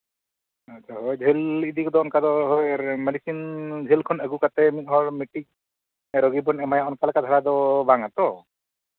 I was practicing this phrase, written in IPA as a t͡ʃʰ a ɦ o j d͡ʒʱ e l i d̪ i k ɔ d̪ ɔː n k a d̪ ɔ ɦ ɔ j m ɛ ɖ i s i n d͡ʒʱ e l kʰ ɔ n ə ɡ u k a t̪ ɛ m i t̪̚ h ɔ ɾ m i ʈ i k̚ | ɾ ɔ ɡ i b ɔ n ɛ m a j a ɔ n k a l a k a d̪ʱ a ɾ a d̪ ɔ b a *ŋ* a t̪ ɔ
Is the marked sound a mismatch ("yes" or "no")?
no